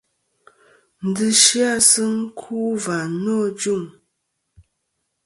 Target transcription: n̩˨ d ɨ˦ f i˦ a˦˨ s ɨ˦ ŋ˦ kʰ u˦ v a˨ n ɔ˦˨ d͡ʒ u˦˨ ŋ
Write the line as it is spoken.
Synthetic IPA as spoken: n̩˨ d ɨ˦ ʃ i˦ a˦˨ s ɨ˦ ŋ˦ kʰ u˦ v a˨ n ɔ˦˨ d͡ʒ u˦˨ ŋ